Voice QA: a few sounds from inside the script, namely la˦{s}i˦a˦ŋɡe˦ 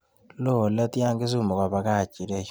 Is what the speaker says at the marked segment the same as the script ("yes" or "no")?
no